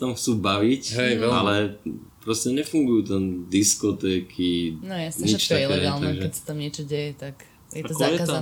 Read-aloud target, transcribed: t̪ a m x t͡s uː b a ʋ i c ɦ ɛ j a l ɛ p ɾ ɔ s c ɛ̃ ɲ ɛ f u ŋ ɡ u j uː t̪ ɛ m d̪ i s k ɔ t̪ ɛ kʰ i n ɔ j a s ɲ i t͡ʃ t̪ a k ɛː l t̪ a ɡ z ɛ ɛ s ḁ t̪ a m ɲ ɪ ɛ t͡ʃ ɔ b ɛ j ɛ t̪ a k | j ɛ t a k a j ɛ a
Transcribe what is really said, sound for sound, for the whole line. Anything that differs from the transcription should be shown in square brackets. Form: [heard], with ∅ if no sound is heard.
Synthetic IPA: t̪ a m x t͡s uː b a ʋ i c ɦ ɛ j a l ɛ p ɾ ɔ s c [ɛ] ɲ ɛ f u ŋ ɡ u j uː t̪ ɛ [n] d̪ i s k ɔ t̪ ɛ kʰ i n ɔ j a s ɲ i t͡ʃ t̪ a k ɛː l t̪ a ɡ [ʒ] ɛ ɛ s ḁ t̪ a m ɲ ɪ ɛ t͡ʃ ɔ [ɟ] ɛ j ɛ t̪ a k | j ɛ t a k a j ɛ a